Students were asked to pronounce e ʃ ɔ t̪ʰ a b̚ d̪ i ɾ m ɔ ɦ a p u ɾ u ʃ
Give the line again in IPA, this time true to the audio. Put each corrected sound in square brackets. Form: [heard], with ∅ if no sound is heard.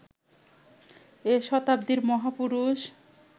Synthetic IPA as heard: e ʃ ɔ [t̪] a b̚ d̪ i ɾ m ɔ ɦ a p u ɾ u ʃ